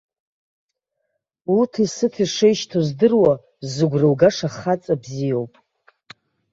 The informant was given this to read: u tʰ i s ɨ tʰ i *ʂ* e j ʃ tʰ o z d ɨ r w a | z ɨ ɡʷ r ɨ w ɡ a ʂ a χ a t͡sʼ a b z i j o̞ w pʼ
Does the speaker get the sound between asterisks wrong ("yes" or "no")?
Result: no